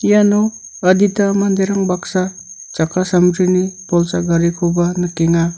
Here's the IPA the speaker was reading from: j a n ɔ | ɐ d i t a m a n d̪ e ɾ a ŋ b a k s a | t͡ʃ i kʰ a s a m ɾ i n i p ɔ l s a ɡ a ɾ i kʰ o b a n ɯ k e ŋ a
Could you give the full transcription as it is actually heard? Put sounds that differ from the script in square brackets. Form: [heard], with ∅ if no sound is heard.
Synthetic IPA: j a n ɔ | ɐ d i t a m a n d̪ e ɾ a ŋ b a k s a | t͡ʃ [a] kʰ a s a m ɾ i n i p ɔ l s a ɡ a ɾ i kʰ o b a n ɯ k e ŋ a